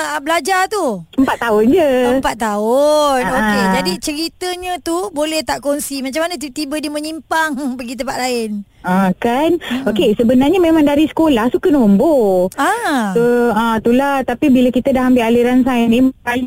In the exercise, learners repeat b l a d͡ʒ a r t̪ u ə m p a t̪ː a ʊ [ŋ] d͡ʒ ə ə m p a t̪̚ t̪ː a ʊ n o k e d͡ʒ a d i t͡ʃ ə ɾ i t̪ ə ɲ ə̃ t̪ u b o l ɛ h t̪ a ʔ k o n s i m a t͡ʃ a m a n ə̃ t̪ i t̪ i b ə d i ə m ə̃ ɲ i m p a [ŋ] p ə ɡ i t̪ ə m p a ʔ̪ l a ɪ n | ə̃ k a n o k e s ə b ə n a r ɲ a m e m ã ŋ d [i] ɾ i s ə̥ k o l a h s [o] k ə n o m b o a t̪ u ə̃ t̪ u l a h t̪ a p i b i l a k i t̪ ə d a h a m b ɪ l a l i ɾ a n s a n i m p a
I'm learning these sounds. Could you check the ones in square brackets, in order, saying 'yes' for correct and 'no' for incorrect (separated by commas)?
no, yes, no, no